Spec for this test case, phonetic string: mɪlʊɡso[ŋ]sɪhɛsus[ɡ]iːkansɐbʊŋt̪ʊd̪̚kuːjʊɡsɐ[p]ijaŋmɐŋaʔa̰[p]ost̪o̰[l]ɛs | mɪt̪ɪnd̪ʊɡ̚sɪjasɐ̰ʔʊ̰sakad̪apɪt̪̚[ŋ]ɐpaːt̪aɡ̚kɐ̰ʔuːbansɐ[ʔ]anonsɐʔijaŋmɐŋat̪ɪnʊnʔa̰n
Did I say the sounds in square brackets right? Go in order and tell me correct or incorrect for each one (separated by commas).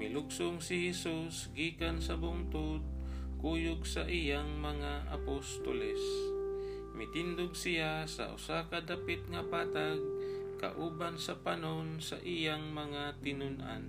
correct, correct, incorrect, correct, correct, correct, incorrect